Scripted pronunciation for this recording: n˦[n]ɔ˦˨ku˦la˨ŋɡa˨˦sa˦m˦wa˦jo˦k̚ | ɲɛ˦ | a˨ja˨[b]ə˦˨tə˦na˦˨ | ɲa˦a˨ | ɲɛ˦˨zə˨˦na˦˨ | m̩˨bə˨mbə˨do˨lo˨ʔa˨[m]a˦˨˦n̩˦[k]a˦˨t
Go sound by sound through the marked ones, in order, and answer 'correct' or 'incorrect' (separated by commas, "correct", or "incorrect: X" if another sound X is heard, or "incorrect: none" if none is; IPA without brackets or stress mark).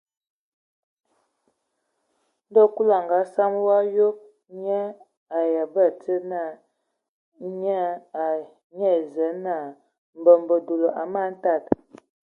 incorrect: d, correct, correct, incorrect: t